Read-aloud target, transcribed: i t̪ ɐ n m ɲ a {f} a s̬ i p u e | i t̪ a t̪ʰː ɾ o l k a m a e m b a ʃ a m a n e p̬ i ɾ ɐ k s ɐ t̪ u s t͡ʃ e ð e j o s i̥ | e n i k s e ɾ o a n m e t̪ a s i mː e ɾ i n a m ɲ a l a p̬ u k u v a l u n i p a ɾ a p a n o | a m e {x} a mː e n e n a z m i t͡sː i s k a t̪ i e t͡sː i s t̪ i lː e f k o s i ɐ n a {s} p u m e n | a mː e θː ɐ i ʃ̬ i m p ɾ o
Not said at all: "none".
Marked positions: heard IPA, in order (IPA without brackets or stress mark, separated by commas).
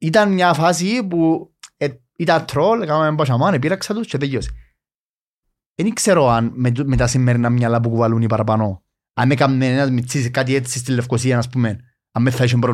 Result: f, k, s